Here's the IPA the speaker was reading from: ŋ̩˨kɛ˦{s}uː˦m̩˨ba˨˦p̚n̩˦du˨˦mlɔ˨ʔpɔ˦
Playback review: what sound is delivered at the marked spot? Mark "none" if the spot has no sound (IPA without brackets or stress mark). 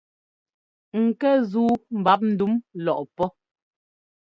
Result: z